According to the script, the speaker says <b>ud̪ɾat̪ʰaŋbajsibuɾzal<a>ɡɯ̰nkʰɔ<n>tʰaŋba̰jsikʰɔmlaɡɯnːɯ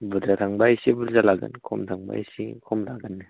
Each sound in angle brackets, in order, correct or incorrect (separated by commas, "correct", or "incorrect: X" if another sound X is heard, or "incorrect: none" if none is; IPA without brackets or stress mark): correct, correct, incorrect: m